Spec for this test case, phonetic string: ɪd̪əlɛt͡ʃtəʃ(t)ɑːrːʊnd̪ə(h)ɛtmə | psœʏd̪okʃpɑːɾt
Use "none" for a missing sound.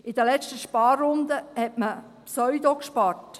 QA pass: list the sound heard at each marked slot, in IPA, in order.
p, h

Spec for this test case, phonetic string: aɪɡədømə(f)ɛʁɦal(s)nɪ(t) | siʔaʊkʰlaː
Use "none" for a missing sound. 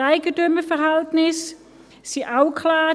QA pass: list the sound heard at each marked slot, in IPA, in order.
f, t, s

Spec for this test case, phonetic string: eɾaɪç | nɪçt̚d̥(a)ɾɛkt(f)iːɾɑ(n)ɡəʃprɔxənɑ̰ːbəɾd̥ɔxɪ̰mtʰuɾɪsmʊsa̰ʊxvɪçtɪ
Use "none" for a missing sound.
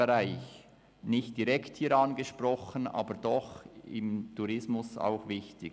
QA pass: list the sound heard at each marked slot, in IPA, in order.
i, h, n

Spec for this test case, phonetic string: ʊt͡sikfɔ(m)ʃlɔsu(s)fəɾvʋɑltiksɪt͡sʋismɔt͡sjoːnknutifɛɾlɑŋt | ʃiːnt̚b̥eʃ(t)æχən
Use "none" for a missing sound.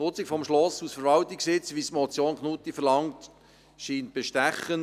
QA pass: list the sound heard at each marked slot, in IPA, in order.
m, s, t

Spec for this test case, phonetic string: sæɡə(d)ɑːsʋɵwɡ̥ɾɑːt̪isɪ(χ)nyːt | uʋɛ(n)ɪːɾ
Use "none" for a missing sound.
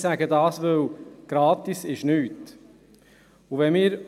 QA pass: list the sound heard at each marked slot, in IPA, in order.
d, ʃ, m

